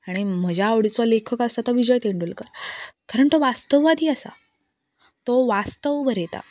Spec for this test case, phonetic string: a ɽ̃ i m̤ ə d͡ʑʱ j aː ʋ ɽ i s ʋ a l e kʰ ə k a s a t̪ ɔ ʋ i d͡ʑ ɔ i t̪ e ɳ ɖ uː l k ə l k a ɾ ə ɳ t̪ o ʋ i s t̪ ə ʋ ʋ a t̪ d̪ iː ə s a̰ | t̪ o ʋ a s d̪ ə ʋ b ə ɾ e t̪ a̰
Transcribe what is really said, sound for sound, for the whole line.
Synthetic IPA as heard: a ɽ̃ i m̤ ə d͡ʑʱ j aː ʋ ɽ i t͡s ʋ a l e kʰ ə k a s a t̪ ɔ ʋ i d͡ʑ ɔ j t̪ e ɳ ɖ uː l k ə ɾ k a ɾ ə ɳ t̪ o ʋ a s t̪ ə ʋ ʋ a d̪ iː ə s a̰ | t̪ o ʋ a s t̪ ə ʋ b ə ɾ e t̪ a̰

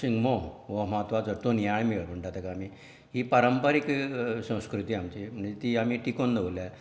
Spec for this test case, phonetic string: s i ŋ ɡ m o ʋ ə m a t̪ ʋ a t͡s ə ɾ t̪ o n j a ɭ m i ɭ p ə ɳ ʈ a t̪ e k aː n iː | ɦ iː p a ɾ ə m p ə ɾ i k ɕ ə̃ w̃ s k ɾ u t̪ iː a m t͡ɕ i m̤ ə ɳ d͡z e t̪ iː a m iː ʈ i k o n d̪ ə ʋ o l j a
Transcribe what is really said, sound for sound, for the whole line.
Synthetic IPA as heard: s i ŋ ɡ m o ʋ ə m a t̪ ʋ a t͡s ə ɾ t̪ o n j a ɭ m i ɭ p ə ɳ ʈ a t̪ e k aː m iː | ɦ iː p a ɾ ə m p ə ɾ i k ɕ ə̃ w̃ s k ɾ u t̪ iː a m t͡ɕ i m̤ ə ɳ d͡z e t̪ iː a m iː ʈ i k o n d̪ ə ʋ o l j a

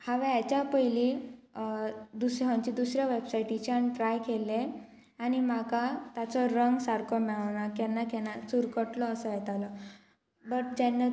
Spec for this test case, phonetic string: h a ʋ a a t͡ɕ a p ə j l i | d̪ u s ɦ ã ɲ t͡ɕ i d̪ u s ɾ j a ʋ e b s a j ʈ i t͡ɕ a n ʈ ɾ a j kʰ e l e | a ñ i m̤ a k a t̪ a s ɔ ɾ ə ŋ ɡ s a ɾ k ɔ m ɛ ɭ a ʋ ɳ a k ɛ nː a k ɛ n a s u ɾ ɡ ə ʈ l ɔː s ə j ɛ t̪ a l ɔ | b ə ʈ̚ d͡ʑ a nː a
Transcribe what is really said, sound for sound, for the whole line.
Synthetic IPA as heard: h a ʋ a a t͡ɕ a p ə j l i | d̪ u s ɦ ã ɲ t͡ɕ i d̪ u s ɾ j a ʋ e b s a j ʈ i t͡ɕ a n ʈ ɾ a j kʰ e l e | a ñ i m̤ a k a t̪ a t͡s ɔ ɾ ə ŋ ɡ s a ɾ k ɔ m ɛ ɭ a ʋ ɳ a k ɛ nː a k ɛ n a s u ɾ k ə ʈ l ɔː s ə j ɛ t̪ a l ɔ | b ə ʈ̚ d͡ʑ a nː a

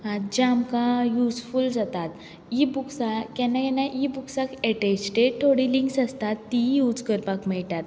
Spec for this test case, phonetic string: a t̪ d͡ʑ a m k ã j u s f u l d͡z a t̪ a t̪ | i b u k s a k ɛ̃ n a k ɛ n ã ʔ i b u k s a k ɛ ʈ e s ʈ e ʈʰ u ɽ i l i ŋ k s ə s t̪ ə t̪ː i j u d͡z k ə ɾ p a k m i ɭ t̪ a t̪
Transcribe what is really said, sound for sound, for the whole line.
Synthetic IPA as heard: a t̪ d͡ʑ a m k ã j u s f u l d͡z a t̪ a t̪ | i b u k s a k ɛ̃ n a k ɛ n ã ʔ i b u k s a k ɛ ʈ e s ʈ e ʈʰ o ɽ i l i ŋ k s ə s t̪ a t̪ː i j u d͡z k ə ɾ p a k m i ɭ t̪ a t̪

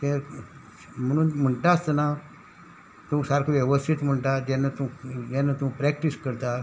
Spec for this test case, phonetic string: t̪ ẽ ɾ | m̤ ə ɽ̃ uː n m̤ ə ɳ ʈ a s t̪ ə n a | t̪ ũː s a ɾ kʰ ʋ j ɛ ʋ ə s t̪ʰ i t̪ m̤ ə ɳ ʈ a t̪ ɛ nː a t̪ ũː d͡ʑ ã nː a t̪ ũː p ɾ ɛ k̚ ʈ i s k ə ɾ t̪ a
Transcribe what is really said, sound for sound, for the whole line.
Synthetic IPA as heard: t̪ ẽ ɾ | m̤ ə ɽ̃ uː n m̤ ə ɳ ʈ a s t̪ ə n a | t̪ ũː s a ɾ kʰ ʋ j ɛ ʋ ə s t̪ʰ i t̪ m̤ ə ɳ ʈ a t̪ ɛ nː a t̪ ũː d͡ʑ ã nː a t̪ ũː p ɾ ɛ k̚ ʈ i s k ə ɾ t̪ a

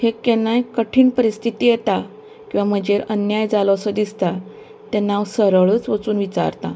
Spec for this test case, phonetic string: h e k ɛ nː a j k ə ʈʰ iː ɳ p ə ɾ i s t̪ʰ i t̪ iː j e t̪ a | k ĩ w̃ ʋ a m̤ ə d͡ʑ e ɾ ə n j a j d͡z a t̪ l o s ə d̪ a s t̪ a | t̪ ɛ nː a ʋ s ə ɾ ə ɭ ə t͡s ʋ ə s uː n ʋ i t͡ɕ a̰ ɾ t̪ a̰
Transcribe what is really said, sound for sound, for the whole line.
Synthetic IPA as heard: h e k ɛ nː a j k ə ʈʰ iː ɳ p ə ɾ i s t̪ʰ i t̪ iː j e t̪ a | k ĩ w̃ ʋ a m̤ ə d͡ʑ e ɾ ə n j a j d͡z a l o s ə d̪ i s t̪ a | t̪ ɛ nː a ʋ s ə ɾ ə ɭ ə t͡s ʋ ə t͡s uː n ʋ i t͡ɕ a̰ ɾ t̪ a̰

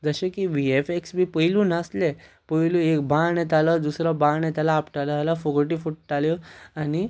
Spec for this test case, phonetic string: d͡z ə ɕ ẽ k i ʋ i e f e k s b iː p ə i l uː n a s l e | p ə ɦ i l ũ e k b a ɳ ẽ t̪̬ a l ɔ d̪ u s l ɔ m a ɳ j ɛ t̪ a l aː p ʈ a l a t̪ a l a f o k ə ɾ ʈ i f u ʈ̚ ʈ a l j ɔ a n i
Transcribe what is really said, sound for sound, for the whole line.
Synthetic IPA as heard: d͡z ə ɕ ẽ k i ʋ i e f e k s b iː p ə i l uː n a s l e | p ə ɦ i l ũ e k b a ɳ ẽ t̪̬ a l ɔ d̪ u s ɾ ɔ b a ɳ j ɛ t̪ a l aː p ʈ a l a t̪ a l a f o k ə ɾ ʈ i f u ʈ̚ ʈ a l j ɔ a n i

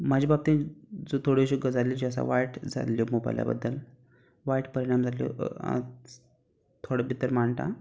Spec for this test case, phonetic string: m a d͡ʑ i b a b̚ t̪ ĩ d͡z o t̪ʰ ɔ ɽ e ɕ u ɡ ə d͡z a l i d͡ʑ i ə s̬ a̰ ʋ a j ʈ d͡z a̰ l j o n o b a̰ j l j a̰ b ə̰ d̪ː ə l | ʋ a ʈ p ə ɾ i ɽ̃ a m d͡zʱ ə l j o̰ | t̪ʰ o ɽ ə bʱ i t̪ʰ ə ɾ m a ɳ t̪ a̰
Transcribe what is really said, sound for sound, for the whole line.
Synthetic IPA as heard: m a d͡ʑ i b a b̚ t̪ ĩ d͡z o t̪ʰ o ɽ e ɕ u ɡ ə d͡z a l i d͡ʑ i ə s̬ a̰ ʋ a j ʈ d͡z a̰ l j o m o b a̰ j l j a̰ b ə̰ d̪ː ə l | ʋ a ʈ p ə ɾ i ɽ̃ a m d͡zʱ a l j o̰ | t̪ʰ o ɽ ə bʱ i t̪ ə ɾ m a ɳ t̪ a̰

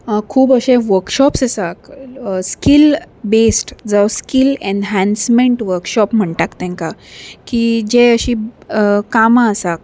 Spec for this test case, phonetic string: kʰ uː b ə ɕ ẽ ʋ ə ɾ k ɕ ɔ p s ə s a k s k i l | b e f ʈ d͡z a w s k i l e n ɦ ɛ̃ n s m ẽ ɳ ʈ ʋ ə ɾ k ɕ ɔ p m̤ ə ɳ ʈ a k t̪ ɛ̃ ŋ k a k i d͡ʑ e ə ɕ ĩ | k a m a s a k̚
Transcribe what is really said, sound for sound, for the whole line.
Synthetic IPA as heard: kʰ uː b ə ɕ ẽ ʋ ə ɾ k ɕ ɔ p s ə s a k s k i l | b e s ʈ d͡z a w s k i l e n ɦ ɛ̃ n s m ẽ ɳ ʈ ʋ ə ɾ k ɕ ɔ p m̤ ə ɳ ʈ a k t̪ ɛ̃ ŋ k a k i d͡ʑ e ə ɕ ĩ | k a m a s a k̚

